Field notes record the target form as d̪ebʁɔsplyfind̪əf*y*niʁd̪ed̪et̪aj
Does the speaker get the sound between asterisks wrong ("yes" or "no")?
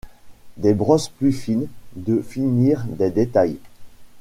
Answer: yes